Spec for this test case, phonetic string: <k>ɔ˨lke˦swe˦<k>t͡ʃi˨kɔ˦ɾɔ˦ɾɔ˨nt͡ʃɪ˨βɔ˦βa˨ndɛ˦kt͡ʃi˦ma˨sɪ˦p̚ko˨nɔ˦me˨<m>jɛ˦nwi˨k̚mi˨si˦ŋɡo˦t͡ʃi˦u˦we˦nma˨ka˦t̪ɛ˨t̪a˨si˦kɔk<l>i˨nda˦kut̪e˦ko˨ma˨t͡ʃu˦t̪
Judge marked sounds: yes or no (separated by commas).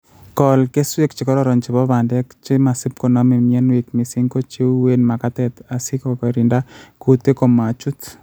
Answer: yes, yes, yes, no